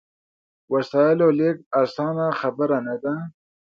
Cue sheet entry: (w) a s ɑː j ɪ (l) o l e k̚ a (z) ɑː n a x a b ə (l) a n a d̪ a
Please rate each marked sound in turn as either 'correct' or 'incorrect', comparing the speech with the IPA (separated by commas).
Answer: correct, correct, incorrect, incorrect